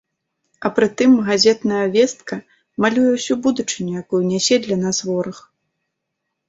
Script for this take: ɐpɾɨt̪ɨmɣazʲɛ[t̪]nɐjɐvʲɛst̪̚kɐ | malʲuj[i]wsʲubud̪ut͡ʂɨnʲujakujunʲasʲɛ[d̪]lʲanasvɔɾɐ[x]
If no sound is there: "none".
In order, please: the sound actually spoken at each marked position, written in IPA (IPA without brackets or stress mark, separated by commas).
t̪, ɛ, d̪, x